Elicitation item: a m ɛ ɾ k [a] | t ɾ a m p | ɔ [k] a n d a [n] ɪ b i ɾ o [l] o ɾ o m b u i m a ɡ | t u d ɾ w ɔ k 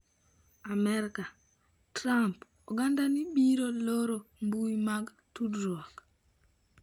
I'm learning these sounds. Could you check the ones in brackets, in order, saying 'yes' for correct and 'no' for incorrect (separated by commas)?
yes, no, yes, yes